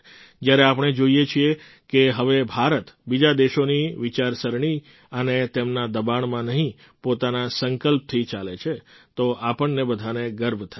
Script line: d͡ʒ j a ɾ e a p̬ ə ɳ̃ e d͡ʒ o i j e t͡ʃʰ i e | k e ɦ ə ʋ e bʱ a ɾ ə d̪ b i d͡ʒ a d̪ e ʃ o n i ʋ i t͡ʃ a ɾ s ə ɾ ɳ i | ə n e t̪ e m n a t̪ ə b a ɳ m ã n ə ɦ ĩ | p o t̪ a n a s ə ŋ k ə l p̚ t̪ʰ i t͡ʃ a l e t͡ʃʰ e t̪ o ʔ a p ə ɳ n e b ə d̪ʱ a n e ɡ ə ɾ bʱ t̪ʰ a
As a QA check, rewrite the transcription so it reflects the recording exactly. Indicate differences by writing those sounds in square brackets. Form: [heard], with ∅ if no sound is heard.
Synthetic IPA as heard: d͡ʒ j a ɾ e a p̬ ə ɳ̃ e d͡ʒ o i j e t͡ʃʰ i e | k e ɦ ə ʋ e bʱ a ɾ ə [t̪] b i d͡ʒ a d̪ e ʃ o n i ʋ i t͡ʃ a ɾ s ə ɾ ɳ i | ə n e t̪ e m n a [d̪] ə b a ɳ m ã n ə ɦ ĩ | p o t̪ a n a s ə ŋ k ə l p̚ t̪ʰ i t͡ʃ a l e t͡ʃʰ e t̪ o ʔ a p ə ɳ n e b ə d̪ʱ a n e ɡ ə ɾ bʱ t̪ʰ a